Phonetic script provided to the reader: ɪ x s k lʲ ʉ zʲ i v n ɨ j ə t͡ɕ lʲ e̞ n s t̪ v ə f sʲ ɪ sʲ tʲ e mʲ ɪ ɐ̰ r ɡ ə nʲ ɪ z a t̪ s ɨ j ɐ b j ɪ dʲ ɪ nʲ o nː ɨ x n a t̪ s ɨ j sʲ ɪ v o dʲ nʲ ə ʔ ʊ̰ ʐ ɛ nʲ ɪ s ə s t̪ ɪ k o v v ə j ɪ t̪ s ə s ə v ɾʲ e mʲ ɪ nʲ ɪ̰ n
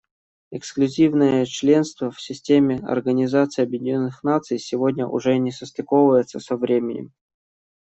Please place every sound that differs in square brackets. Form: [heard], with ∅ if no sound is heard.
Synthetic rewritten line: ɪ [k] s k lʲ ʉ zʲ i v n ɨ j ə t͡ɕ lʲ e̞ n s t̪ v ə f sʲ ɪ sʲ tʲ e mʲ ɪ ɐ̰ r ɡ ə nʲ ɪ z a t̪ s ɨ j ɐ b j ɪ dʲ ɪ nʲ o nː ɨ x n a t̪ s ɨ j sʲ ɪ v o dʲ nʲ ə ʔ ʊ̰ ʐ ɛ nʲ ɪ s ə s t̪ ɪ k o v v ə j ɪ t̪ s ə s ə v ɾʲ e mʲ ɪ nʲ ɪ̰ [m]